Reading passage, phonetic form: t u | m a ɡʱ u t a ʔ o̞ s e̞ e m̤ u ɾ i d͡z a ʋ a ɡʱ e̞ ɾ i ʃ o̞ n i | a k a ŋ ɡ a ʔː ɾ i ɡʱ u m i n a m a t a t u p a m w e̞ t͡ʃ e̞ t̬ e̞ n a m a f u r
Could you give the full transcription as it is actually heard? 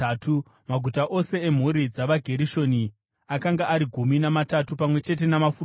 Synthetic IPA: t u | m a ɡʱ u t a ʔ o̞ s e̞ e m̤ u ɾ i d͡z a ʋ a ɡʱ e̞ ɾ i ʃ o̞ n i | a k a ŋ ɡ a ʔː ɾ i ɡʱ u m i n a m a t a t u p a m w e̞ t͡ʃ e̞ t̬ e̞ n a m a f u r